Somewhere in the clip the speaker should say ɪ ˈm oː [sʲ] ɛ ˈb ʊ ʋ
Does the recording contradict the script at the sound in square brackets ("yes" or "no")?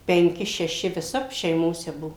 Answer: no